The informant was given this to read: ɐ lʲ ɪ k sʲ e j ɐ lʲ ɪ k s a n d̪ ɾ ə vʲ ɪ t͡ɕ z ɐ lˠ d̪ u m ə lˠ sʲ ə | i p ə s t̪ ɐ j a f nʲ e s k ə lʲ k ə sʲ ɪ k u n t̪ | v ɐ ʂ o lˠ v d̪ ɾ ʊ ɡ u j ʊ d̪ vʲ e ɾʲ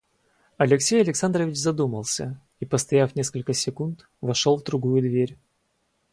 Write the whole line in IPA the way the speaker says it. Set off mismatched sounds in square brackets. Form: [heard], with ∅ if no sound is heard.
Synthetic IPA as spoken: ɐ lʲ ɪ k sʲ e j ɐ lʲ ɪ k s a n d̪ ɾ ə vʲ ɪ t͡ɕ z ɐ [∅] d̪ u m ə lˠ sʲ ə | i p ə s t̪ ɐ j a f nʲ e s k ə lʲ k ə sʲ ɪ k u n t̪ | v ɐ ʂ o lˠ v d̪ ɾ ʊ ɡ u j ʊ d̪ vʲ e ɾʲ